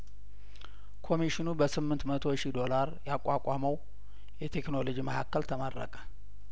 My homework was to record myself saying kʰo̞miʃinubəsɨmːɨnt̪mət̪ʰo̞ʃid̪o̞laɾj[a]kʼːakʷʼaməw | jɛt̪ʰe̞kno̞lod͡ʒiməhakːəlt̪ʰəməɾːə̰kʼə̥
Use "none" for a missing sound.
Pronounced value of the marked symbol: a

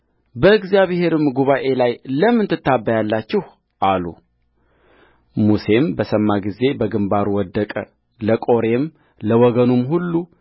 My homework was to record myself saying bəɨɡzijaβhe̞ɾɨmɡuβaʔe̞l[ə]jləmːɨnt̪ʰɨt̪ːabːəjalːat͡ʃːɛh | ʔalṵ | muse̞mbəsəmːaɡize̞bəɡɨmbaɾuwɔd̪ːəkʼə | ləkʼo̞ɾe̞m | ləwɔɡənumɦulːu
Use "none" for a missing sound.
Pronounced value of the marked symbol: a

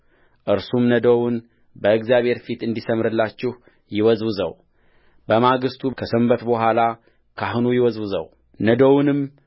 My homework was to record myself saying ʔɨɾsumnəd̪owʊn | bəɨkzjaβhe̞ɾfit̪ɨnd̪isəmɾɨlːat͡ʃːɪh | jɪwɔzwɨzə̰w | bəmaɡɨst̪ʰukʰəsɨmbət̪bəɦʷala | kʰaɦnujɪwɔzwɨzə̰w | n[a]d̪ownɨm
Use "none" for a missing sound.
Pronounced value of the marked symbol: ə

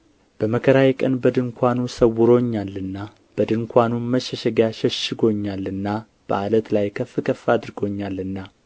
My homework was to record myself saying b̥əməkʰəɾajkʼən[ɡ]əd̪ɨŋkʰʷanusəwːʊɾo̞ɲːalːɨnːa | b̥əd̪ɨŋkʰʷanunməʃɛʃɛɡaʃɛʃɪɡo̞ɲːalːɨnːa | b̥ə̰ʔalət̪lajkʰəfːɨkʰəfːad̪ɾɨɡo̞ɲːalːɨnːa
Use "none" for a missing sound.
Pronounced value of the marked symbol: b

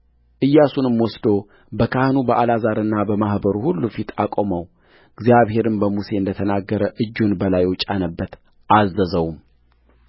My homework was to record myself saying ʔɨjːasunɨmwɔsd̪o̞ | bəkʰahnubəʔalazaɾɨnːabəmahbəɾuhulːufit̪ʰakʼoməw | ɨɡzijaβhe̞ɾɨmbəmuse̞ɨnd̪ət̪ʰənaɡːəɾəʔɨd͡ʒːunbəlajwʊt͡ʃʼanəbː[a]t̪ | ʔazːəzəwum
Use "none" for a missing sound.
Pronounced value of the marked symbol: ə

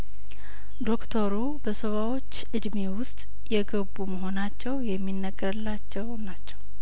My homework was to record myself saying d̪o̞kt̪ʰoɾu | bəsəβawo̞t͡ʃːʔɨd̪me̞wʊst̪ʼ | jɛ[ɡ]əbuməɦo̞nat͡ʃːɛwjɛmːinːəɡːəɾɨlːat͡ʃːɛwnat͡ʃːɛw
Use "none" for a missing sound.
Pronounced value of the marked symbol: ɡ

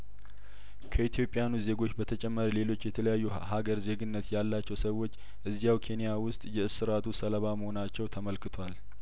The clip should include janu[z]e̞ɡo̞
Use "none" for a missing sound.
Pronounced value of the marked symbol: z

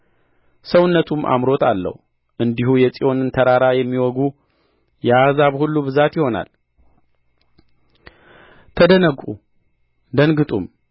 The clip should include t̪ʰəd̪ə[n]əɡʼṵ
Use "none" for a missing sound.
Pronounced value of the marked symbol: n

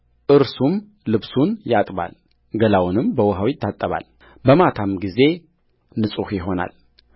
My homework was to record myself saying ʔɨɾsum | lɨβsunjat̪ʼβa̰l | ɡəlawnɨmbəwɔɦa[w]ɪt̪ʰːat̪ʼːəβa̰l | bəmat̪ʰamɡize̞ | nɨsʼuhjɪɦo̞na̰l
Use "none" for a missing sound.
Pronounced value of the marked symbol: w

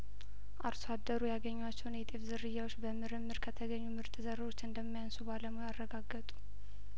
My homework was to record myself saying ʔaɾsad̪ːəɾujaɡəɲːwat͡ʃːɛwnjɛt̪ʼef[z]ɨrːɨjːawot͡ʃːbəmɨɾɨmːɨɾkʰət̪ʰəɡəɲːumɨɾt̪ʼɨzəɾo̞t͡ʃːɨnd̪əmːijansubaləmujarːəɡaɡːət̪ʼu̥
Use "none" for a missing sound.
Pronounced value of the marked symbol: z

